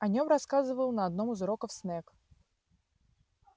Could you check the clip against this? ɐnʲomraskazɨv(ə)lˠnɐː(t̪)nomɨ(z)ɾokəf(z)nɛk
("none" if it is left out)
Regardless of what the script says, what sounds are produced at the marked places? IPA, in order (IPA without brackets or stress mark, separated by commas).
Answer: ə, d̪, z, s